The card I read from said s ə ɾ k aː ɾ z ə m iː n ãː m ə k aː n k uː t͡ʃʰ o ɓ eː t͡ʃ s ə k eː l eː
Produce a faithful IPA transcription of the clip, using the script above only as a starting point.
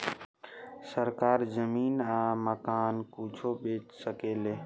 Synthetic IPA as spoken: s ə ɾ k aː ɾ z ə m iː n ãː m ə k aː n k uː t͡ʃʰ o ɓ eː t͡ʃ s ə k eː l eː